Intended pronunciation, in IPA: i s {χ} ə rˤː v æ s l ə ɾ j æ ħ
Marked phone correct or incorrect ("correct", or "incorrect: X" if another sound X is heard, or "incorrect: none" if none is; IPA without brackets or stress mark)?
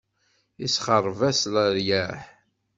correct